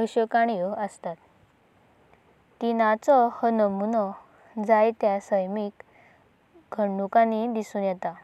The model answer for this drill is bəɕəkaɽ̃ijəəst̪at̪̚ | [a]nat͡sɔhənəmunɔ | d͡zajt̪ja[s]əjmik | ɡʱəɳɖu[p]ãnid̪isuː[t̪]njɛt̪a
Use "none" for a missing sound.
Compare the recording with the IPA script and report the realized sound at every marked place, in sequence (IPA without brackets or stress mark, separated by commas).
i, s, k, none